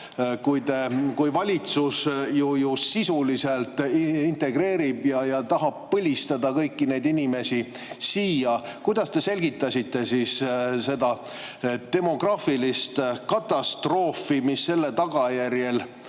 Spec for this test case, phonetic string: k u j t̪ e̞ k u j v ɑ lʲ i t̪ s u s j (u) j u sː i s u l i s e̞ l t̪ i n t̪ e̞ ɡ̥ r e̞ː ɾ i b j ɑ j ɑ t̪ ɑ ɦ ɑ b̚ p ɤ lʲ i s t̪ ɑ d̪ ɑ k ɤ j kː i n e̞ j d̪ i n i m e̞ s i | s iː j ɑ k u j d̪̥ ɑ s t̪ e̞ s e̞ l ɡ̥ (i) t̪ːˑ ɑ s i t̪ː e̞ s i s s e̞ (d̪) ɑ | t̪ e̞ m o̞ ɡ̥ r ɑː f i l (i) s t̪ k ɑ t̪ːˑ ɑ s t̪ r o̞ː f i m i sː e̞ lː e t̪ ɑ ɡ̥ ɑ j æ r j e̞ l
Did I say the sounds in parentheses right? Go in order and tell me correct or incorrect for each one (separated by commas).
correct, correct, correct, correct